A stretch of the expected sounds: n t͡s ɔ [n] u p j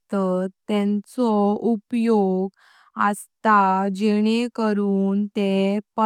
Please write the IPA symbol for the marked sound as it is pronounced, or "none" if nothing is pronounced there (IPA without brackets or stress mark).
none